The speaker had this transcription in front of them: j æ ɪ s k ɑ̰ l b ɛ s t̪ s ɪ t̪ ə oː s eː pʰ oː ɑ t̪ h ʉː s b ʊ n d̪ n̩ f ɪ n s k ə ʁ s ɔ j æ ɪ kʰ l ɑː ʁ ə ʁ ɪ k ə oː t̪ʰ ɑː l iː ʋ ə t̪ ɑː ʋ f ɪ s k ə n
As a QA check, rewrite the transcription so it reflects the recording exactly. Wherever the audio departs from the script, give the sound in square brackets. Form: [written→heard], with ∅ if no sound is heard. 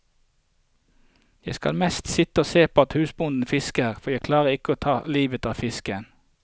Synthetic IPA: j æ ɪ s k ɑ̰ l [b→m] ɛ s t̪ s ɪ t̪ ə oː s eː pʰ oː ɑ t̪ h ʉː s b ʊ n d̪ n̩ f ɪ [n→∅] s k ə ʁ [s→f] ɔ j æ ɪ kʰ l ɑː ʁ ə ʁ ɪ k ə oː t̪ʰ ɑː l iː ʋ ə t̪ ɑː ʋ f ɪ s k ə n